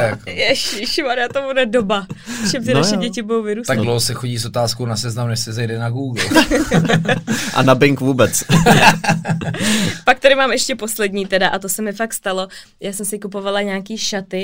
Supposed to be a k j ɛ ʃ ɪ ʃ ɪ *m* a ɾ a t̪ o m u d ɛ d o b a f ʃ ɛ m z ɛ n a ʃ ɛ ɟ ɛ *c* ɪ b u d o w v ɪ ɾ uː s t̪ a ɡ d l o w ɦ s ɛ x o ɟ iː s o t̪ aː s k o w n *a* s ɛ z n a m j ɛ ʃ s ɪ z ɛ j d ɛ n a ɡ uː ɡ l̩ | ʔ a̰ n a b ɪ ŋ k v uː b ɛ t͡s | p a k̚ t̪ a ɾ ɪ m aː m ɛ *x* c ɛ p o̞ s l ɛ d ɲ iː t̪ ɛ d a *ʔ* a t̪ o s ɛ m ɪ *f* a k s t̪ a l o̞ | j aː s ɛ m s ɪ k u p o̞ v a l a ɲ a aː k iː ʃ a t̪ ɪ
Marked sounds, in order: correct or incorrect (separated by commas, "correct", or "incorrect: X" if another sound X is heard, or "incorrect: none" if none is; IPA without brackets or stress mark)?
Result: correct, correct, correct, incorrect: ʃ, correct, correct